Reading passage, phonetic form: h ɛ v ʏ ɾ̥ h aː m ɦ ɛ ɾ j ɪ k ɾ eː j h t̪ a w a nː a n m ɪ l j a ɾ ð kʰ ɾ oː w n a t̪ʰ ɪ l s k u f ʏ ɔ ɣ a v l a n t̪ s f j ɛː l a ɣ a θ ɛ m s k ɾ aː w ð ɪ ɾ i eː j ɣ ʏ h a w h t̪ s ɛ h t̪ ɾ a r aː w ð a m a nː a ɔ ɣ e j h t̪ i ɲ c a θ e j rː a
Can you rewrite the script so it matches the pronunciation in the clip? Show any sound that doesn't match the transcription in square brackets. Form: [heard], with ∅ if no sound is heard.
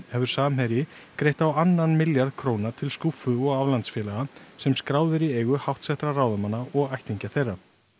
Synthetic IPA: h ɛ v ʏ ɾ̥ [s] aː m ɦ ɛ ɾ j ɪ k ɾ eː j h t̪ a w a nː a n m ɪ l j a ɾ ð kʰ ɾ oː w n a t̪ʰ ɪ l s k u f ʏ ɔ ɣ a v l a n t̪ s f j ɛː l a ɣ a [s] ɛ m s k ɾ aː w ð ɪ ɾ i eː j ɣ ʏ h a w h t̪ s ɛ h t̪ ɾ a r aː w ð a m a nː a ɔ ɣ [a] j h t̪ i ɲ c a θ e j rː a